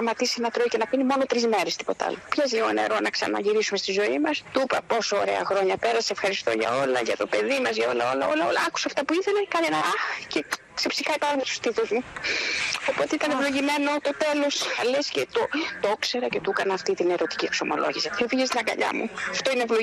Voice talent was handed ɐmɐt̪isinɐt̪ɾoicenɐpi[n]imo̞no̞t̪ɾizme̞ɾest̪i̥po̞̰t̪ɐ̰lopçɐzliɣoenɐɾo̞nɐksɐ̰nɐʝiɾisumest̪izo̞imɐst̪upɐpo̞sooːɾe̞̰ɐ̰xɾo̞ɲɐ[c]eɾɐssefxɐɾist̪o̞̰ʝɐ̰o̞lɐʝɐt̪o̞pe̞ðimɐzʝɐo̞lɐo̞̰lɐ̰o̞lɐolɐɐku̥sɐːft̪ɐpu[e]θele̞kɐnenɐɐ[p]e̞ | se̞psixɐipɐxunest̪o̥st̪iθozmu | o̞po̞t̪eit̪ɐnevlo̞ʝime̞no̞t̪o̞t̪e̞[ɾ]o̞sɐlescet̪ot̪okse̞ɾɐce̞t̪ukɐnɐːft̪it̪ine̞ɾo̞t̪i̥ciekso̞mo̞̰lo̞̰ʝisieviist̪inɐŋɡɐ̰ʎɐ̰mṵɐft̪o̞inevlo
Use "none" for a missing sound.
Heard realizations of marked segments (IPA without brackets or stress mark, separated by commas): n, p, i, c, l